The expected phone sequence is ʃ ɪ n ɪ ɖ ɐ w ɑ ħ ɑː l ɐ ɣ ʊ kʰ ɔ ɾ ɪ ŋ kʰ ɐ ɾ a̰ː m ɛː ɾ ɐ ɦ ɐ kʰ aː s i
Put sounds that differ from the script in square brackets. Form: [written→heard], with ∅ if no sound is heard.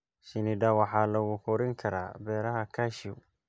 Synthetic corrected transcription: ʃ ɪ n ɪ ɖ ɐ w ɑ ħ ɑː l ɐ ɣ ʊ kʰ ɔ ɾ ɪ ŋ kʰ ɐ ɾ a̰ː [m→b] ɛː ɾ ɐ ɦ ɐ kʰ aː [s→ʃ] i